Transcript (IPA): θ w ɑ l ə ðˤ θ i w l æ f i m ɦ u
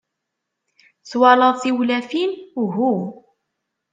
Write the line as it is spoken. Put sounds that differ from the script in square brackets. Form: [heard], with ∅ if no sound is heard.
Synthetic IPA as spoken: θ w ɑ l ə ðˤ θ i w l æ f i [n] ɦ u